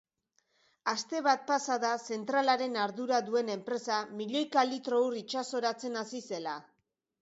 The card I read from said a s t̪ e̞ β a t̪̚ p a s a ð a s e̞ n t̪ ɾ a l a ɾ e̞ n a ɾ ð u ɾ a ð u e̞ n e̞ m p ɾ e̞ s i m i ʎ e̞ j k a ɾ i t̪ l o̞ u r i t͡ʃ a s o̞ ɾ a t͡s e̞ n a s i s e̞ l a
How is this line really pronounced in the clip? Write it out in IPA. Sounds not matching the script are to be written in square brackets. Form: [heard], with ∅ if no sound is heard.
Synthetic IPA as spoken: a s t̪ e̞ β a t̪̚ p a s a ð a s e̞ n t̪ ɾ a l a ɾ e̞ n a ɾ ð u ɾ a ð u e̞ n e̞ m p ɾ e̞ s [a] m i ʎ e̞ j k a [l] i t̪ [ɾ] o̞ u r i t͡ʃ a s o̞ ɾ a t͡s e̞ n a s i s e̞ l a

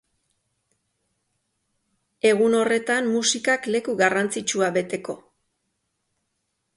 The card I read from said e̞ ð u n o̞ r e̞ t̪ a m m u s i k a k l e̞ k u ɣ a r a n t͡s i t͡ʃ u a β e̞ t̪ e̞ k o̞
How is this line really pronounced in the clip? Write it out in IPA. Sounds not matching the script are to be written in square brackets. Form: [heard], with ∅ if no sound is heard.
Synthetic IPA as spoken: e̞ [ɣ] u n o̞ r e̞ t̪ a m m u s i k a k l e̞ k u ɣ a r a n t͡s i t͡ʃ u a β e̞ t̪ e̞ k o̞

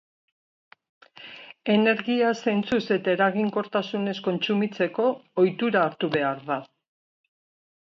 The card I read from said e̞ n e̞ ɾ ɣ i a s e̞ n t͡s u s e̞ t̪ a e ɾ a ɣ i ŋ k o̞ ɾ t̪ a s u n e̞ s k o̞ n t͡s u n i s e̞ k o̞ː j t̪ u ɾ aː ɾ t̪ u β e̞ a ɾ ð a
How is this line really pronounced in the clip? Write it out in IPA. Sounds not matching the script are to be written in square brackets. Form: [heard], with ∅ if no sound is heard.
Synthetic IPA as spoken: e̞ n e̞ ɾ ɣ i a s e̞ n t͡s u s e̞ t̪ a e ɾ a ɣ i ŋ k o̞ ɾ t̪ a s u n e̞ s k o̞ n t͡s u [m] i [t͡s] e̞ k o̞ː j t̪ u ɾ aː ɾ t̪ u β e̞ a ɾ ð a

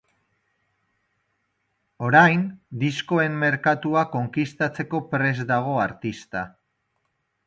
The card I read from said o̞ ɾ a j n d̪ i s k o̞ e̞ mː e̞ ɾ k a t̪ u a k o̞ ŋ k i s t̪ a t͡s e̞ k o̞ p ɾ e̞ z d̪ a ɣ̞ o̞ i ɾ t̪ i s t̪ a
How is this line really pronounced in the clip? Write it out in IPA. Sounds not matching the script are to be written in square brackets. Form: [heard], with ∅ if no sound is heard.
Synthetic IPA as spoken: o̞ ɾ a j n d̪ i s k o̞ e̞ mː e̞ ɾ k a t̪ u a k o̞ ŋ k i s t̪ a t͡s e̞ k o̞ p ɾ e̞ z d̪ a ɣ̞ o̞ [a] ɾ t̪ i s t̪ a

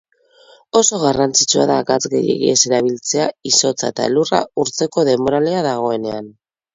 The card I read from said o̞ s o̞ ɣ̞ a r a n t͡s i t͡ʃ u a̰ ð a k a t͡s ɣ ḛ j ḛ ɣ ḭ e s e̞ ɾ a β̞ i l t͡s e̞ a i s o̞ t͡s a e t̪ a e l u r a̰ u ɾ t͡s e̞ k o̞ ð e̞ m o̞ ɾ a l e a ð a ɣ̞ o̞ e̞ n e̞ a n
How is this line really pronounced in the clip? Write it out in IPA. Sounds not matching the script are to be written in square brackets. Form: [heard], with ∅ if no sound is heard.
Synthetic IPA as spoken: o̞ s o̞ ɣ̞ a r a n t͡s i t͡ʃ u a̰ ð a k a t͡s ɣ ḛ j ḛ ɣ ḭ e s e̞ ɾ a β̞ i l t͡s e̞ a i s o̞ t͡s a e t̪ a e l u r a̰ u ɾ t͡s e̞ k o̞ ð e̞ m o̞ ɾ a l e a ð a ɣ̞ o̞ e̞ n e̞ a n

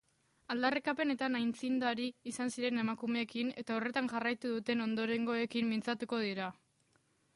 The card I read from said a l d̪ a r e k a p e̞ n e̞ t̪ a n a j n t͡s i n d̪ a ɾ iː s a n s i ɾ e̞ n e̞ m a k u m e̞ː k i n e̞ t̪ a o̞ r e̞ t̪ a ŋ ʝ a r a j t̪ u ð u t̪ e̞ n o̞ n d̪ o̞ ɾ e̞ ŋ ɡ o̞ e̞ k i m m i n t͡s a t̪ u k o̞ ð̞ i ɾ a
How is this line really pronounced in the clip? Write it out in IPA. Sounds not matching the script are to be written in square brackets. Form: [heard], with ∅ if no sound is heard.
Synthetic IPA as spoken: a l d̪ a r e k a p e̞ n e̞ t̪ a n a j n t͡s i n d̪ a ɾ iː s a n s i ɾ e̞ n e̞ m a k u m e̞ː k i n e̞ t̪ a o̞ r e̞ t̪ a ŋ ʝ a r a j t̪ u ð u t̪ e̞ n o̞ n d̪ o̞ ɾ e̞ ŋ ɡ o̞ e̞ k i m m i n t͡s a t̪ u k o̞ ð̞ i ɾ a

